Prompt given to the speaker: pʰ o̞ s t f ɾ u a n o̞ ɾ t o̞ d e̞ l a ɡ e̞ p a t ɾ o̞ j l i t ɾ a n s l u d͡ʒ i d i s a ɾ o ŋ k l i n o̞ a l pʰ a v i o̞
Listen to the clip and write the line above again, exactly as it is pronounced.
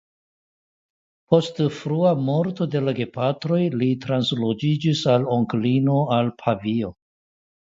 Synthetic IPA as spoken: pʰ o̞ s t f ɾ u a m o̞ ɾ t o̞ d e̞ l a ɡ e̞ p a t ɾ o̞ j l i t ɾ a n s l o d͡ʒ i d͡ʒ i s a l o ŋ k l i n o̞ a l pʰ a v i o̞